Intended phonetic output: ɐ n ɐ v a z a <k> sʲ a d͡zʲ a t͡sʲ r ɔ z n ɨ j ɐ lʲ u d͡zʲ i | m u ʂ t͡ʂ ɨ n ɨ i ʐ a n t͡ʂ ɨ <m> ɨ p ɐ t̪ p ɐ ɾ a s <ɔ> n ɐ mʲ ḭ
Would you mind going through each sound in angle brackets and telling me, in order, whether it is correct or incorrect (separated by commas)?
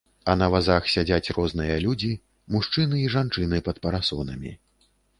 incorrect, incorrect, correct